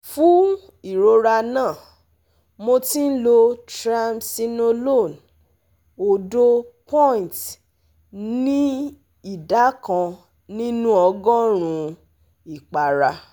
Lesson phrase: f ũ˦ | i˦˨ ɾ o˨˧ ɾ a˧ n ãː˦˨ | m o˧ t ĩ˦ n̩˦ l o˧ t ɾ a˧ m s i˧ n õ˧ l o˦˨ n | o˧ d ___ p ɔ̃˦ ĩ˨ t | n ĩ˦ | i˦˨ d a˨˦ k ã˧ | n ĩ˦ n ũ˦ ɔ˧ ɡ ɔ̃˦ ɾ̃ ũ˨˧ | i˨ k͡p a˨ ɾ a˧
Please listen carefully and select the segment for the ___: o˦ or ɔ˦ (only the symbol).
o˦